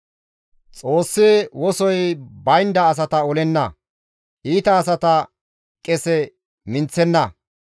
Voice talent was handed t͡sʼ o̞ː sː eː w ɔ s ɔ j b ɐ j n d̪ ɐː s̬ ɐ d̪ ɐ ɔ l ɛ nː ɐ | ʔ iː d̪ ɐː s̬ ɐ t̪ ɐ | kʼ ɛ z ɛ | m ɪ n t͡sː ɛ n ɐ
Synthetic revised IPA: t͡sʼ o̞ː sː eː w ɔ s ɔ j b ɐ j n d̪ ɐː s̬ ɐ t̪ ɐ ɔ l ɛ nː ɐ | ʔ iː t̪ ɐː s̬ ɐ t̪ ɐ | kʼ ɛ s ɛ | m ɪ n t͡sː ɛ nː ɐ